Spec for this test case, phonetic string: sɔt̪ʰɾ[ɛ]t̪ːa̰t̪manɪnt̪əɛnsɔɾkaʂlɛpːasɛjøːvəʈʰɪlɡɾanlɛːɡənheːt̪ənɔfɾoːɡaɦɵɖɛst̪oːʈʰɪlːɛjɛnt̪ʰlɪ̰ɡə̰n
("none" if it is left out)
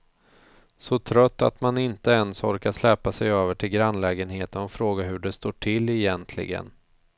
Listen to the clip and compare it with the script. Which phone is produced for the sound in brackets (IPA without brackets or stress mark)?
œ